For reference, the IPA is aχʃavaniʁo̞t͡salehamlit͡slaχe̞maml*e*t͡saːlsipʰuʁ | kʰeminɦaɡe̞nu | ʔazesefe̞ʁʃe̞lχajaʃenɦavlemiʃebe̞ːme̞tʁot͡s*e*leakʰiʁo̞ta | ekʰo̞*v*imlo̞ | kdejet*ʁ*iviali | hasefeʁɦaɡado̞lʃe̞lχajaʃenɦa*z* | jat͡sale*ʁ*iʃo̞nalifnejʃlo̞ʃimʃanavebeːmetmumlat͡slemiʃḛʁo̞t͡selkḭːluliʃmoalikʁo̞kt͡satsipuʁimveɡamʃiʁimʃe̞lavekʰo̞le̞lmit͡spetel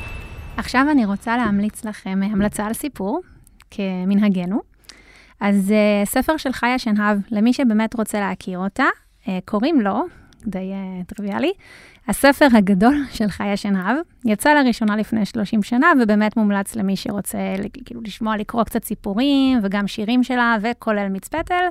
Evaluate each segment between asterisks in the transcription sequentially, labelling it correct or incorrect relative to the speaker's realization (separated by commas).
incorrect, correct, incorrect, correct, incorrect, correct